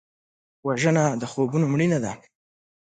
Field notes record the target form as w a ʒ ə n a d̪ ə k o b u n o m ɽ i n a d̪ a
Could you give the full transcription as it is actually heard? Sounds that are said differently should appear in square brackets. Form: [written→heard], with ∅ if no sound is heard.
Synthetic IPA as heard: w a ʒ ə n a d̪ ə [k→x] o b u n o m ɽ i n a d̪ a